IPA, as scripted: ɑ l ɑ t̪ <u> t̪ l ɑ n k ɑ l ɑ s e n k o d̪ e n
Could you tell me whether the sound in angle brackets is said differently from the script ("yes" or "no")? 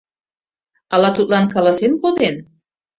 no